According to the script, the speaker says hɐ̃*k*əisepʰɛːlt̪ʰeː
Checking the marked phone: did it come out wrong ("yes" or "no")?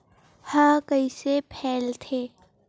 no